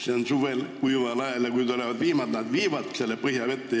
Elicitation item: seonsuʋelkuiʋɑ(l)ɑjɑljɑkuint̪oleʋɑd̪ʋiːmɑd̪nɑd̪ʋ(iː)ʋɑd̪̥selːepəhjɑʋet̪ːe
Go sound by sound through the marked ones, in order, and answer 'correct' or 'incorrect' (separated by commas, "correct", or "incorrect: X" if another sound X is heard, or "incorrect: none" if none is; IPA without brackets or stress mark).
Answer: correct, correct